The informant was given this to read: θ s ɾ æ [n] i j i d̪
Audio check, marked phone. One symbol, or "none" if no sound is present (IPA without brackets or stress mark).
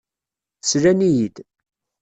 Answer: n